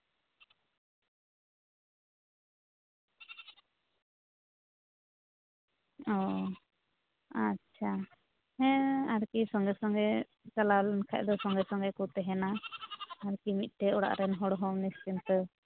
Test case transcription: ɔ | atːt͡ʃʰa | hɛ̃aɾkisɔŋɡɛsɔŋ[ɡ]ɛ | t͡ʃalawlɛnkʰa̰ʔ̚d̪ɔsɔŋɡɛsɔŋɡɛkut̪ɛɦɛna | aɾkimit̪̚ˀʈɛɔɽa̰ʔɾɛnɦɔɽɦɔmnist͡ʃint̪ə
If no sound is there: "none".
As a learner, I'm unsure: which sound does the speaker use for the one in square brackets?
ɡ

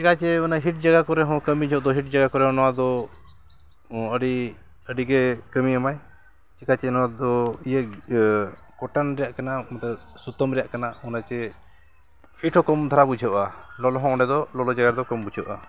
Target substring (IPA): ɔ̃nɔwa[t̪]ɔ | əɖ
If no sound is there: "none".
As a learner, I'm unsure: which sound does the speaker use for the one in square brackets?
d̪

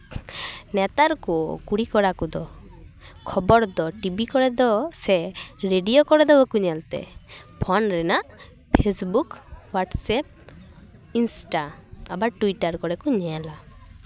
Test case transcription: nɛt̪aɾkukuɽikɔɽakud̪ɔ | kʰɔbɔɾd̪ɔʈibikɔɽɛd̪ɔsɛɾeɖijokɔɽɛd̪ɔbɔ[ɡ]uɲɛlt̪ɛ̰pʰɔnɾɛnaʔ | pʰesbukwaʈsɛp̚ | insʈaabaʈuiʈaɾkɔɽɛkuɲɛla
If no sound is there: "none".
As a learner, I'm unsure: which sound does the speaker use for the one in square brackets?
k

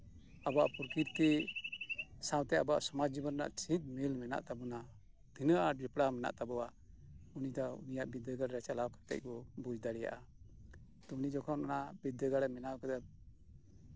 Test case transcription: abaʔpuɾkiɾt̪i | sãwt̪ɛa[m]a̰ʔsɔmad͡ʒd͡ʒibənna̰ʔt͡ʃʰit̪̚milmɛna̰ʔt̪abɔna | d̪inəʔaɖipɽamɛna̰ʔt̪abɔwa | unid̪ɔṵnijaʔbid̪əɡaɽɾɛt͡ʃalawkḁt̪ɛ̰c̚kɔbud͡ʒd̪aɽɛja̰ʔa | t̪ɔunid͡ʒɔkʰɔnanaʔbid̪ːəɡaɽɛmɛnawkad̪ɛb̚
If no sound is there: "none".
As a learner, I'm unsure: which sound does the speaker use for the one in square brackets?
b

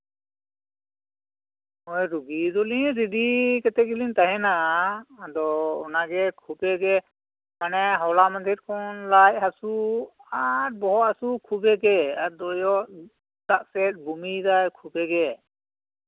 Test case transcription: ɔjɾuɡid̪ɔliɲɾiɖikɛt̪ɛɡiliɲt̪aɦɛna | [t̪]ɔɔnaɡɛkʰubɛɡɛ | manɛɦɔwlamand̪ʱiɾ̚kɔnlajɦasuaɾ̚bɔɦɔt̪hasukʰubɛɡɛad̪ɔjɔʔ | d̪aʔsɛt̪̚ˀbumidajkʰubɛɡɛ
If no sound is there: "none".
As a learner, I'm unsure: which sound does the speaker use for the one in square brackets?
d̪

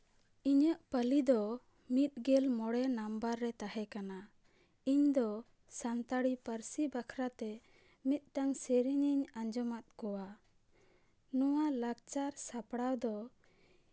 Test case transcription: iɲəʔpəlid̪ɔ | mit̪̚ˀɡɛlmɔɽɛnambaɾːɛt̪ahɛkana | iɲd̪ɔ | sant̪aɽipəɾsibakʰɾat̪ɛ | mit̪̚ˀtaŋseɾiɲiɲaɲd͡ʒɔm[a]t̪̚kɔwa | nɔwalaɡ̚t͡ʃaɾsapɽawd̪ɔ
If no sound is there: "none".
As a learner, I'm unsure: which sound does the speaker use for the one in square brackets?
a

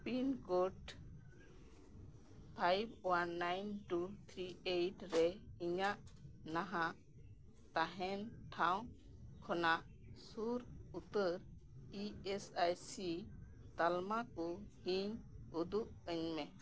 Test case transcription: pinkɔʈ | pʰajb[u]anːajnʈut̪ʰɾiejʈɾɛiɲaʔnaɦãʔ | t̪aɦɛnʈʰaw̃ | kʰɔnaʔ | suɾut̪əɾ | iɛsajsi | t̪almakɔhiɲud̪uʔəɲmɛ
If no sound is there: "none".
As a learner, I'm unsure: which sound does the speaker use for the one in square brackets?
w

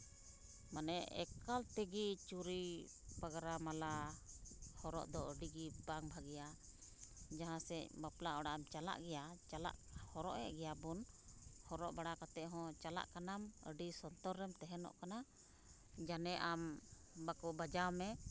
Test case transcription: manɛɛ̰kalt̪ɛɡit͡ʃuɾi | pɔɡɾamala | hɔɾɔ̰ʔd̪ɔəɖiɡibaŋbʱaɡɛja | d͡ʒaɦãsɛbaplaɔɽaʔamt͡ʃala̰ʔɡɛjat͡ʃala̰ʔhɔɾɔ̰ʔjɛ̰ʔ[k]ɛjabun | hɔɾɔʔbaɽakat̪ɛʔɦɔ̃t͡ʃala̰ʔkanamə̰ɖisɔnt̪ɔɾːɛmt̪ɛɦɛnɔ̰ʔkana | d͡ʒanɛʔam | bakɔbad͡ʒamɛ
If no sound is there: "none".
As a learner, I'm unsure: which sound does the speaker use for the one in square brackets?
ɡ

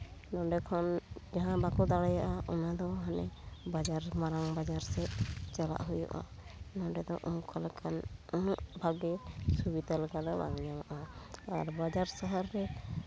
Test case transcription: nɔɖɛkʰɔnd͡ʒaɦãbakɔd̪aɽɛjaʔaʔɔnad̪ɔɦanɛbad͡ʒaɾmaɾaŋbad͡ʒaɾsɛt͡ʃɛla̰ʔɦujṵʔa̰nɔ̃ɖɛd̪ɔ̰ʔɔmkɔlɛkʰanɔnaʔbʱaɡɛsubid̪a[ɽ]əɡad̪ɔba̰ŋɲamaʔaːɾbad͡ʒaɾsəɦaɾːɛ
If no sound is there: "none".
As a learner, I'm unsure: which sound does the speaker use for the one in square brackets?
l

